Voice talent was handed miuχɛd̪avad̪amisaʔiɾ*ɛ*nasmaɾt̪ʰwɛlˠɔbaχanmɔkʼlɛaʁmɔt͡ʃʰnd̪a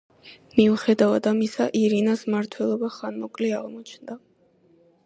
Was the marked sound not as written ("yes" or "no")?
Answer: yes